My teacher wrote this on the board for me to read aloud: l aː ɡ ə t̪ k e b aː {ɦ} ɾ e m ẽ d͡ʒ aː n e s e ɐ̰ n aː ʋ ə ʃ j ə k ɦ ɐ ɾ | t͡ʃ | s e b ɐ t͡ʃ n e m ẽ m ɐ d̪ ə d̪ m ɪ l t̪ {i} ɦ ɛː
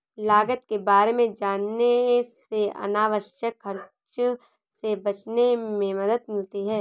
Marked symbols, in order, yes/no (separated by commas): no, yes